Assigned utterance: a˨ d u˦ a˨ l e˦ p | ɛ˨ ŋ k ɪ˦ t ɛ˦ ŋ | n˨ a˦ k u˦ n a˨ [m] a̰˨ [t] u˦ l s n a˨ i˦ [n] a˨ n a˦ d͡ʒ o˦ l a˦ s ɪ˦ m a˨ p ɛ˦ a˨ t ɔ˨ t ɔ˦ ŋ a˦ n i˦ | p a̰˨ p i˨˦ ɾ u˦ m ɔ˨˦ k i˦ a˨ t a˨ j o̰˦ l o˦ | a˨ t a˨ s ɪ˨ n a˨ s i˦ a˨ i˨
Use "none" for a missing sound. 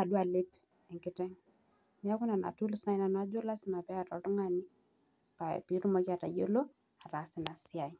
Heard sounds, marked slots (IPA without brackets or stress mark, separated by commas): n, t, n